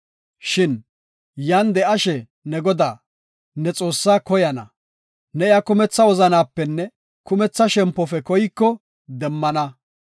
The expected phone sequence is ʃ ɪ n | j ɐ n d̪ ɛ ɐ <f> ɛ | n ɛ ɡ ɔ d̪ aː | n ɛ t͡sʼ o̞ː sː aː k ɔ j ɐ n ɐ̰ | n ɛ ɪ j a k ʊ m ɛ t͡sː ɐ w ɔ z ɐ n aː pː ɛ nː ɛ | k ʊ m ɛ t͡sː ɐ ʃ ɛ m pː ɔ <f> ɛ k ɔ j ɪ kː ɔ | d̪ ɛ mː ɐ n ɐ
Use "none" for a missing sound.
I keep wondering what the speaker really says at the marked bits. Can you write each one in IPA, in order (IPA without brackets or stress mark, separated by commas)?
ʃ, f